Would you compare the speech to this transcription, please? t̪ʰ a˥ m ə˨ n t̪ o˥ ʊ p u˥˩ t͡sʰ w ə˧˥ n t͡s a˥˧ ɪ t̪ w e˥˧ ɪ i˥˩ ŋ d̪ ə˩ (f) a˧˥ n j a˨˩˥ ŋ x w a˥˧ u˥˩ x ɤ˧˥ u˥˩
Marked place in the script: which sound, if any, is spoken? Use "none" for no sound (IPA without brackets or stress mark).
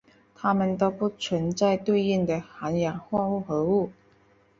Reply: x